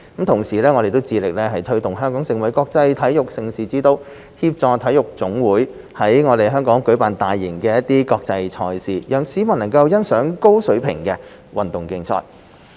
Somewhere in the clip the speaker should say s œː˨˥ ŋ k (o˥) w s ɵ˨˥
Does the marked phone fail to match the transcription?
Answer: no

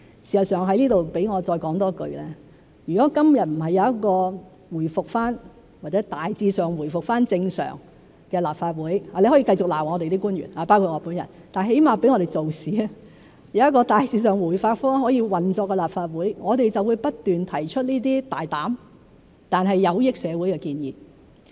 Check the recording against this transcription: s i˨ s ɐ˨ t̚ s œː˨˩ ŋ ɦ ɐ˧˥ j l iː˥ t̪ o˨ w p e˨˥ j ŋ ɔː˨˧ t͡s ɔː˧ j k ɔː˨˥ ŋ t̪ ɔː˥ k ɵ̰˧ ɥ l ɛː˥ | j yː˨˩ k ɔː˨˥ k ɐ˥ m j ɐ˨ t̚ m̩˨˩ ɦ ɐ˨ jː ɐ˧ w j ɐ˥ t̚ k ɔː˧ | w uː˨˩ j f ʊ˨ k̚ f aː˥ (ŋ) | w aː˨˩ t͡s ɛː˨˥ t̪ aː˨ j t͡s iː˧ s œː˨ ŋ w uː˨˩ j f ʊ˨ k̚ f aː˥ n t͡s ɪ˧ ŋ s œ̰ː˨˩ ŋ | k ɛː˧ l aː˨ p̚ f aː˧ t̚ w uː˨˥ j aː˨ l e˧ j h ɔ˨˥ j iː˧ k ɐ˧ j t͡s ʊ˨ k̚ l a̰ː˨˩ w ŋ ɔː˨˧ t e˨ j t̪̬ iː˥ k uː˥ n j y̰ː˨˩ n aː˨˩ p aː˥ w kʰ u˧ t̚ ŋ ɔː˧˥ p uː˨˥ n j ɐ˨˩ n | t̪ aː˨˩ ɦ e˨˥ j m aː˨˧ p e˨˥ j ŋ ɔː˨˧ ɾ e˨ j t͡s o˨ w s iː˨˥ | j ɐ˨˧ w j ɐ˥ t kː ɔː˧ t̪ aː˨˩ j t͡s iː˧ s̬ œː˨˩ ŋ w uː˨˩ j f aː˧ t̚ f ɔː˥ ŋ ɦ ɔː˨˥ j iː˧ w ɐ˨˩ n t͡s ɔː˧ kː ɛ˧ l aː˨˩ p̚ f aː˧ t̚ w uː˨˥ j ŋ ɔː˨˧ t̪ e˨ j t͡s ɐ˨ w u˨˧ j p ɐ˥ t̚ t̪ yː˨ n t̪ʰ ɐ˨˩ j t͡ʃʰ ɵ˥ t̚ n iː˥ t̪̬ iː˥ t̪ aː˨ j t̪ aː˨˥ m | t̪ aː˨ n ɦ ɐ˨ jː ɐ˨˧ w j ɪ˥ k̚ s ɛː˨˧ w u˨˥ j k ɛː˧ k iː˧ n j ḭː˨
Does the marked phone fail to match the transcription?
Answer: yes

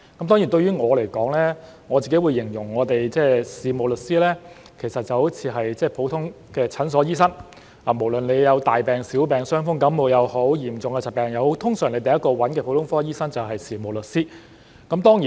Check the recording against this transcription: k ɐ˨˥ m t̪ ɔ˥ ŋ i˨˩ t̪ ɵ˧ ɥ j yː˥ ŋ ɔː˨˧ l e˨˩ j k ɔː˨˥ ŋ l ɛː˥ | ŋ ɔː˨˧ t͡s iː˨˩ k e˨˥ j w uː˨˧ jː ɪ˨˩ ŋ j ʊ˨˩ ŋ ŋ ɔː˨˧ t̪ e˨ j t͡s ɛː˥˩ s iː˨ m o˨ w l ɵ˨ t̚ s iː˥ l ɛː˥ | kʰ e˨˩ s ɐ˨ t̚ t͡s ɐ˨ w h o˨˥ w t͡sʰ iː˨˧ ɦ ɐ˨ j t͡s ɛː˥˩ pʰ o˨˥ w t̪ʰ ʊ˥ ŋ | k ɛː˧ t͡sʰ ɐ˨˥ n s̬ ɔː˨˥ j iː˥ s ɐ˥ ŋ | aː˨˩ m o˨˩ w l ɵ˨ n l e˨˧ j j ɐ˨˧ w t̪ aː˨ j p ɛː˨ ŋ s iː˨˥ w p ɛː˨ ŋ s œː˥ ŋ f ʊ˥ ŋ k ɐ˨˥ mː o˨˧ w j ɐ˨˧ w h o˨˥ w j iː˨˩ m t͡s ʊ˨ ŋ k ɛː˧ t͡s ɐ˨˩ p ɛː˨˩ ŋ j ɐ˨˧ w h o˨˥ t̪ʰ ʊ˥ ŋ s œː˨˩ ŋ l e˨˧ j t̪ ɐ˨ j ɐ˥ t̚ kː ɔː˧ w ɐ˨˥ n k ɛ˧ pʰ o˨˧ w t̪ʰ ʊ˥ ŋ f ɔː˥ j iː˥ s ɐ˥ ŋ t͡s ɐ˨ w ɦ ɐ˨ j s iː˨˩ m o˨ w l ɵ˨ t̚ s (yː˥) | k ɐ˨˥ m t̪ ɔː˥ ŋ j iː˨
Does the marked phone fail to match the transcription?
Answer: yes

